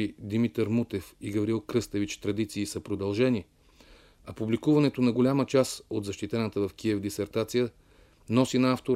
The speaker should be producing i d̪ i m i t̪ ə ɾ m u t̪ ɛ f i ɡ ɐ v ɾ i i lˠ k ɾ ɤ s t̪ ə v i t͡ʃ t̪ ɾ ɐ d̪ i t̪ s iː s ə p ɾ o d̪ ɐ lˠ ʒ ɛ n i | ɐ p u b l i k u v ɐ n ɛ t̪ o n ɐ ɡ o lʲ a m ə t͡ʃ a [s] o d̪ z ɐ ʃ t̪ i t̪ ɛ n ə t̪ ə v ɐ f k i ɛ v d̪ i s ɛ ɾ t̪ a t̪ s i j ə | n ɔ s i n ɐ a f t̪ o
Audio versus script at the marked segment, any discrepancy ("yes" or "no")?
no